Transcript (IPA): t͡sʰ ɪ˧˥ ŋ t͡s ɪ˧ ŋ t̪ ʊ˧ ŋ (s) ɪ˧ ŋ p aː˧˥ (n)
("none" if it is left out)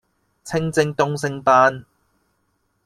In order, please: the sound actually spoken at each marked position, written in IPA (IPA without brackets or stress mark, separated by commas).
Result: s, n